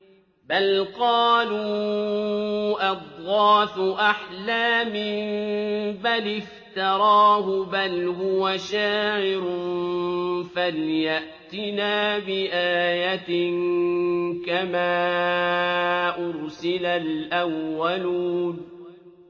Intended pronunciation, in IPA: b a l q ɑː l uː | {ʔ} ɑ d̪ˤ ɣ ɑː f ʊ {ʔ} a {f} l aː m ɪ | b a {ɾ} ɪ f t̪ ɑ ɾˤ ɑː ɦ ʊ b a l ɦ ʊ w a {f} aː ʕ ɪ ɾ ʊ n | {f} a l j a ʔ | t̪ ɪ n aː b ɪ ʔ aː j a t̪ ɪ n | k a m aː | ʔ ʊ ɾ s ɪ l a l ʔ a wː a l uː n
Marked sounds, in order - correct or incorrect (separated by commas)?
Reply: correct, correct, incorrect, incorrect, incorrect, correct